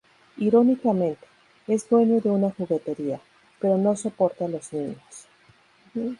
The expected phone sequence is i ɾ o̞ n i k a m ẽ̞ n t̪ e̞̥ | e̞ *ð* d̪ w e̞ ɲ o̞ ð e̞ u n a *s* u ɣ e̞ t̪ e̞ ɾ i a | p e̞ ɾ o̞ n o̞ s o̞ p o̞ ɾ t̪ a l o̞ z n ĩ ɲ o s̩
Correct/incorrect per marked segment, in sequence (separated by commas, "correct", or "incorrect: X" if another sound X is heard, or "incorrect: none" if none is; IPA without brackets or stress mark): incorrect: z, incorrect: x